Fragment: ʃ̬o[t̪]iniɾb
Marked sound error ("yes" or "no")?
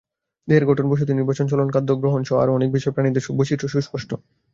no